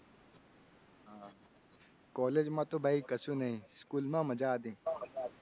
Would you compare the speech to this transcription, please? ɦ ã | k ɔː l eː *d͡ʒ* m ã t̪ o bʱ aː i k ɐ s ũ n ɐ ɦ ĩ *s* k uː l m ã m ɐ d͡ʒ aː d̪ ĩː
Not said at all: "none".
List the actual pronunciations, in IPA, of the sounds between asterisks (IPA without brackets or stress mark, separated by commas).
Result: d͡ʒ, s